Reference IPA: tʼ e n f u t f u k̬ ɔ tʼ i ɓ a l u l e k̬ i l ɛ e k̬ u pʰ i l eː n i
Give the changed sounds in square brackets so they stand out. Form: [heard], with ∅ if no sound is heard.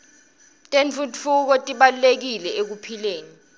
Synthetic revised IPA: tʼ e n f u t f u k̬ ɔ tʼ i ɓ a l u l e k̬ i l ɛ e k̬ u pʰ i l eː n i